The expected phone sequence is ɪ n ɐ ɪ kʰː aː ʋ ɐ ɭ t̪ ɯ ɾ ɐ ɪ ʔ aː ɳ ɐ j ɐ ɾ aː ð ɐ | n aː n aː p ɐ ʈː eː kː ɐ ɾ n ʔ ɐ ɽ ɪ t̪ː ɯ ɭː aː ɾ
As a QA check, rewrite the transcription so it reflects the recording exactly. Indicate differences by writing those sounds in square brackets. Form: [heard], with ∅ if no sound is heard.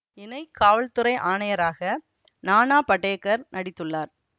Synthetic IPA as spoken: ɪ n ɐ ɪ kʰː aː ʋ ɐ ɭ t̪ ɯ ɾ ɐ ɪ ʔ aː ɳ ɐ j ɐ ɾ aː [ɣ] ɐ | n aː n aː p ɐ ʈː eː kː ɐ ɾ n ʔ ɐ ɽ ɪ t̪ː ɯ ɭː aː ɾ